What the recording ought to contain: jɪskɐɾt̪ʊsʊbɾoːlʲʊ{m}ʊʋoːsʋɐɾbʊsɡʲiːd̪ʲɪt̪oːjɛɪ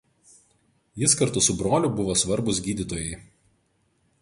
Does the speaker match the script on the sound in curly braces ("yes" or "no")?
no